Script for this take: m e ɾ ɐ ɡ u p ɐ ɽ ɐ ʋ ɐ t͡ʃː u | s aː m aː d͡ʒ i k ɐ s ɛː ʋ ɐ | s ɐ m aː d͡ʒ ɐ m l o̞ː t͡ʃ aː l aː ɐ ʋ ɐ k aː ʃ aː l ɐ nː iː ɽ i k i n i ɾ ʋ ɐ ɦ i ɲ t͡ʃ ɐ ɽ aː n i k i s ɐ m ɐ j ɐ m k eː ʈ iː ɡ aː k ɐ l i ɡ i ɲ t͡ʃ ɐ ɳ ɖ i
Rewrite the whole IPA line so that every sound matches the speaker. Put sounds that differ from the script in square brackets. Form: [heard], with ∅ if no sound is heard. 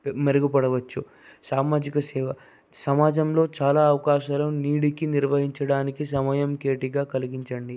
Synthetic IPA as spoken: m e ɾ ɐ ɡ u p ɐ ɽ ɐ ʋ ɐ t͡ʃː u | s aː m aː d͡ʒ i k ɐ s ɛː ʋ ɐ | s ɐ m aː d͡ʒ ɐ m l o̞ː t͡ʃ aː l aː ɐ ʋ ɐ k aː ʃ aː l ɐ [n] iː ɽ i k i n i ɾ ʋ ɐ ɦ i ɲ t͡ʃ ɐ ɽ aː n i k i s ɐ m ɐ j ɐ m k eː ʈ [i] ɡ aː k ɐ l i ɡ i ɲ t͡ʃ ɐ ɳ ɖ i

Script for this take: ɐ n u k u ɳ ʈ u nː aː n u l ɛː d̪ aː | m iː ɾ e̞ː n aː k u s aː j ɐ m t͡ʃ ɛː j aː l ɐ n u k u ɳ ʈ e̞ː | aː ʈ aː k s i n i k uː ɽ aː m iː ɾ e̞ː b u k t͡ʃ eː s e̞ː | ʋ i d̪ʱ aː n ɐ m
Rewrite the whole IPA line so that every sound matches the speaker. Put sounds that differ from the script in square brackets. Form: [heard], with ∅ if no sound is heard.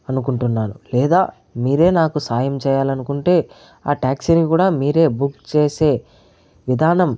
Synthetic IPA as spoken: ɐ n u k u ɳ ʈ u nː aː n u l ɛː d̪ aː | m iː ɾ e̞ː n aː k u s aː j ɐ m t͡ʃ ɛː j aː l ɐ n u k u ɳ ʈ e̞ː | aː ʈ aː k s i n i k uː ɽ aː m iː ɾ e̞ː b u k t͡ʃ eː s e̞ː | ʋ i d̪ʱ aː n ɐ m

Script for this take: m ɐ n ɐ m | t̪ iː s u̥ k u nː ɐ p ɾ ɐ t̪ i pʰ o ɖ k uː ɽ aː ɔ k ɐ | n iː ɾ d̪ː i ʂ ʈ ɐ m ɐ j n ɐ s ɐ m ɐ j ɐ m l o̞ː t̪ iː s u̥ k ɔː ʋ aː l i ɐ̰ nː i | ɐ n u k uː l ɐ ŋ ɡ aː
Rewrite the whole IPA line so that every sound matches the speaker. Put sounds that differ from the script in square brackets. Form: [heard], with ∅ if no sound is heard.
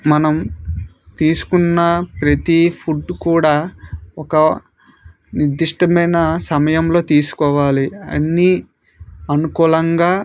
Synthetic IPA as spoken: m ɐ n ɐ m | t̪ iː s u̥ k u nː ɐ p ɾ ɐ t̪ i pʰ [u] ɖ k uː ɽ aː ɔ k ɐ | n [i] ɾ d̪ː i ʂ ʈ ɐ m ɐ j n ɐ s ɐ m ɐ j ɐ m l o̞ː t̪ iː s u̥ k ɔː ʋ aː l i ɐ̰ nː i | ɐ n u k uː l ɐ ŋ ɡ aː

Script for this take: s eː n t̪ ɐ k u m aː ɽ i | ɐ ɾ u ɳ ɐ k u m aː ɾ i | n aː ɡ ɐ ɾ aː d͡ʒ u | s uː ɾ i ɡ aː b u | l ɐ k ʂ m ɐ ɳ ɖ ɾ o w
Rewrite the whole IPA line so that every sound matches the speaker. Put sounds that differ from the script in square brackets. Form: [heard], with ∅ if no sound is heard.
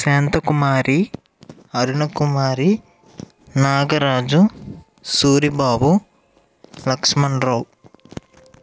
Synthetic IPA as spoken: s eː n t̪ ɐ k u m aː [ɾ] i | ɐ ɾ u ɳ ɐ k u m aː ɾ i | n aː ɡ ɐ ɾ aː d͡ʒ u | s uː ɾ i [b] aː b u | l ɐ k ʂ m ɐ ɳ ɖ ɾ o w

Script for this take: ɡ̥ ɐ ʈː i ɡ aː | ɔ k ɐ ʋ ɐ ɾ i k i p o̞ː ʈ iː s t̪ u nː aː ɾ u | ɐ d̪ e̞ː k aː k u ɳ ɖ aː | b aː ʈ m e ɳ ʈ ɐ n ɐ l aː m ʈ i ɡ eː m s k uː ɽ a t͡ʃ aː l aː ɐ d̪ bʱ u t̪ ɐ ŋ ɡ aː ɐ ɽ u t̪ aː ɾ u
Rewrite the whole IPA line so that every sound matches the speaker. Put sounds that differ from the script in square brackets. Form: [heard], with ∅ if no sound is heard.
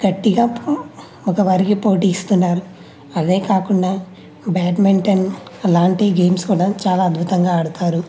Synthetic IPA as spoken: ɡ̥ ɐ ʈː i ɡ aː | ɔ k ɐ ʋ ɐ ɾ i k i p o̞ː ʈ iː s t̪ u nː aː ɾ u | ɐ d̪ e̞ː k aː k u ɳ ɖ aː | b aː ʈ m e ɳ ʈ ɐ n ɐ l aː [ɳ] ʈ i ɡ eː m s k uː ɽ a t͡ʃ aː l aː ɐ d̪ bʱ u t̪ ɐ ŋ ɡ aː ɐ ɽ u t̪ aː ɾ u

